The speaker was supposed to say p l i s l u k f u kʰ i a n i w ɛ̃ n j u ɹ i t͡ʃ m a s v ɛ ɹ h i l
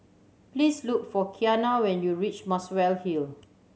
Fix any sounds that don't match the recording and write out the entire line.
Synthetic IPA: p l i s l u k f ɔ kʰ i a n a w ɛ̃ n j u ɹ i t͡ʃ m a s w ɛ l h i l